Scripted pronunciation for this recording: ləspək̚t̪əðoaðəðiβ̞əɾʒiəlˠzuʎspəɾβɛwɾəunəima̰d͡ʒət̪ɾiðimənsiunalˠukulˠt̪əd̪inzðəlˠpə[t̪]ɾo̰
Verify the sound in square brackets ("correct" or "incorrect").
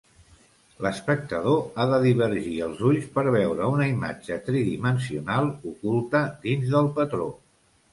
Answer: correct